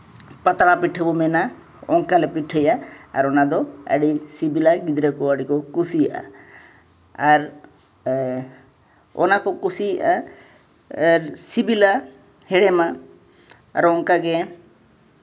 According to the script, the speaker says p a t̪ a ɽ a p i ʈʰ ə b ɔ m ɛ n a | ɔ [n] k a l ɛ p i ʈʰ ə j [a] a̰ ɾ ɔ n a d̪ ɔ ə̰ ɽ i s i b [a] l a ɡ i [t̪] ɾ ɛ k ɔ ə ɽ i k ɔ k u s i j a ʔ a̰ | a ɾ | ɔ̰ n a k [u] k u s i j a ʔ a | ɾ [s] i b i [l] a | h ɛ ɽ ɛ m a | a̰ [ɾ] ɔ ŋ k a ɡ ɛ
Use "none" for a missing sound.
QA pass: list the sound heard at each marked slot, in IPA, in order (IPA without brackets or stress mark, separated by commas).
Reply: ŋ, a, i, d̪, ɔ, s, l, ɾ